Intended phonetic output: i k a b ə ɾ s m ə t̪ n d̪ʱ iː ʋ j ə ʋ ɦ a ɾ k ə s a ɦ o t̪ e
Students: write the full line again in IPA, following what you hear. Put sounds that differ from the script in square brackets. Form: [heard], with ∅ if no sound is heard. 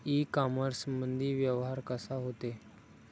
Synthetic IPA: i k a [m] ə ɾ s m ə [∅] n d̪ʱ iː ʋ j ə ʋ ɦ a ɾ k ə s a ɦ o t̪ e